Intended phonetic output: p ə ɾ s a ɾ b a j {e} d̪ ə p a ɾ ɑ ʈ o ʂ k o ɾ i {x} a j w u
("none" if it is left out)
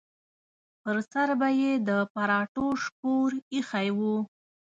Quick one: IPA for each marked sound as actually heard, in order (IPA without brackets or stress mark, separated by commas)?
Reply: e, x